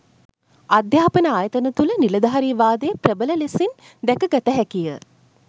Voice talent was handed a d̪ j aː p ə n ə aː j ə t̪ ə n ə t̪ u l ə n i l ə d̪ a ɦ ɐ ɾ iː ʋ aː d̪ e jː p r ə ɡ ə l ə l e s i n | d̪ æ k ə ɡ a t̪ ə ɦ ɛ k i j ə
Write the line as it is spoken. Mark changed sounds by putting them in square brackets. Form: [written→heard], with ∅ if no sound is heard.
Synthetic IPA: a d̪ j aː p ə n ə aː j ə t̪ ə n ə t̪ u l ə n i l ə d̪ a ɦ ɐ ɾ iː ʋ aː d̪ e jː p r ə [ɡ→b] ə l ə l e s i n | d̪ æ k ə ɡ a t̪ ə ɦ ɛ k i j ə